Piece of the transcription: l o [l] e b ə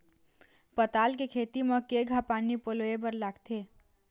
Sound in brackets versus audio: incorrect: none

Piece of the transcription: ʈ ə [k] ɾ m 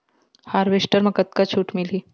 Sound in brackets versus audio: incorrect: none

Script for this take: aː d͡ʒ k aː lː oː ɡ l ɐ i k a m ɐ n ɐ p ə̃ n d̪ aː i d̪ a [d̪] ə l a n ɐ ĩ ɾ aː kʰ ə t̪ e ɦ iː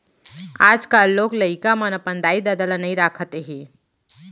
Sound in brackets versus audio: correct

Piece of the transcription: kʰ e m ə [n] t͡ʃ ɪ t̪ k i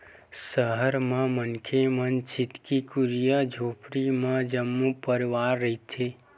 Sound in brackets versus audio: correct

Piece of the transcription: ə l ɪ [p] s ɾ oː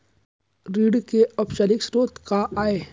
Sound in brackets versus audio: incorrect: k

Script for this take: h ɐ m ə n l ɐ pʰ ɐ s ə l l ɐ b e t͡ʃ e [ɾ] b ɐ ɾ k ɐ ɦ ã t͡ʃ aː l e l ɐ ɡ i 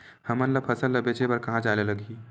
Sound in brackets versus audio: incorrect: none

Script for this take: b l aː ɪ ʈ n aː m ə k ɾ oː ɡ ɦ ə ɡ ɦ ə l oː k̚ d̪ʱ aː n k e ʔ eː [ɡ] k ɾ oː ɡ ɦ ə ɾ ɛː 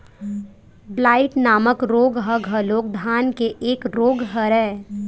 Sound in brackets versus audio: incorrect: none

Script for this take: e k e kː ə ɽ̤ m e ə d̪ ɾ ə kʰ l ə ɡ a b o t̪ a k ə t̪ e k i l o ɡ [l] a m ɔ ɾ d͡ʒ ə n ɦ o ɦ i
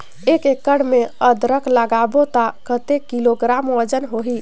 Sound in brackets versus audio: incorrect: ɾ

